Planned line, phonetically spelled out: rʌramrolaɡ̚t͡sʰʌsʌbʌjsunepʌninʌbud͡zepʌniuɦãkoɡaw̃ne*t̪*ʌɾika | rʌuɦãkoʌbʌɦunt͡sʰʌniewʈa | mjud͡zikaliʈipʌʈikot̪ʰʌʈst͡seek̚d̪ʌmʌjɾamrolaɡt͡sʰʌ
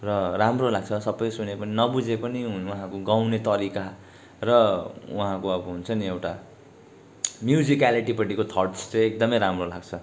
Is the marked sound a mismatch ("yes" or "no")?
no